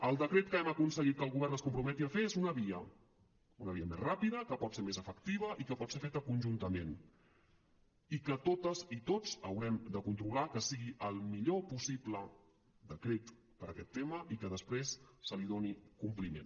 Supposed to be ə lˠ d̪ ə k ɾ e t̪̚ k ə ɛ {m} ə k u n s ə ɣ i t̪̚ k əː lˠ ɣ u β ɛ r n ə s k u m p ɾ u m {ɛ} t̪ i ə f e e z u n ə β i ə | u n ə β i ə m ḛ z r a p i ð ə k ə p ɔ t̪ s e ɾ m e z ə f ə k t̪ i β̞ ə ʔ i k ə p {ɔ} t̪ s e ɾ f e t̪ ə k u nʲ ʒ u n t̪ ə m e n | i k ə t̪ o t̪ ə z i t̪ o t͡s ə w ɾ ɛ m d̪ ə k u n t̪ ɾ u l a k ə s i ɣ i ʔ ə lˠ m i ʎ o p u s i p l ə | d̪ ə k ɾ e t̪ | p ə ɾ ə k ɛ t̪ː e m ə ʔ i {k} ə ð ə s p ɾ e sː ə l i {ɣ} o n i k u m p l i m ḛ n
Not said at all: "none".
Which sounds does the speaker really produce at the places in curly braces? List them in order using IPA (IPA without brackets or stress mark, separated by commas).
m, ɛ, ɔ, k, ð